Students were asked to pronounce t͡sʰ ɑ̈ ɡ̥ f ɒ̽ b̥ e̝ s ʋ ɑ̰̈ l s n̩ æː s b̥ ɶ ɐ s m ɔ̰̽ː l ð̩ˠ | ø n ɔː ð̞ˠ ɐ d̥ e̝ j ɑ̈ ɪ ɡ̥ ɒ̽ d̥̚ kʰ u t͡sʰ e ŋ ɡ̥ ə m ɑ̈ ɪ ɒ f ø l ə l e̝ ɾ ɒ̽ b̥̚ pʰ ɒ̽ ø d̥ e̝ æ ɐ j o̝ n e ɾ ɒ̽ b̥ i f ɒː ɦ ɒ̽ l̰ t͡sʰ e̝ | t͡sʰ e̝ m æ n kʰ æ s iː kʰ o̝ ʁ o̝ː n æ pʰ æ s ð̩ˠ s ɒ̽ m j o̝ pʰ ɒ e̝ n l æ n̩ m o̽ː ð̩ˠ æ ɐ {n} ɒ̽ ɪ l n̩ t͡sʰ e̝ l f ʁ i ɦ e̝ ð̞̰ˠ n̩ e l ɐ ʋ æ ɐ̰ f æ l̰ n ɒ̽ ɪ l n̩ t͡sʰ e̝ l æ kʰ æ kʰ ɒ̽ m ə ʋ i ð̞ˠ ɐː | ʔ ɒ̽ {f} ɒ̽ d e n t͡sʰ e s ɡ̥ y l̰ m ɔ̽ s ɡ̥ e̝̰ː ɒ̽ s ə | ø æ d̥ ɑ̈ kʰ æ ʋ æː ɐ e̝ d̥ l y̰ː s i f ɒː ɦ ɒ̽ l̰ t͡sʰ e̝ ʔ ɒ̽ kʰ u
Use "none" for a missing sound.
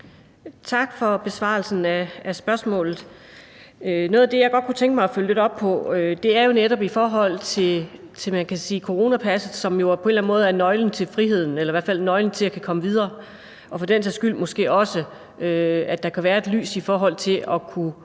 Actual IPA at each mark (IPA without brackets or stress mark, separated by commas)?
n, f